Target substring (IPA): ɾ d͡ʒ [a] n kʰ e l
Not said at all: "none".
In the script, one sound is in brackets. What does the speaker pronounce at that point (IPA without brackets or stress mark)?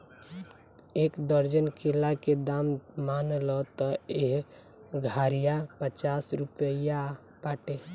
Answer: ə